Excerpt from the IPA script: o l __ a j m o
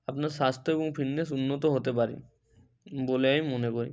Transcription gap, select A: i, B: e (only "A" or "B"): B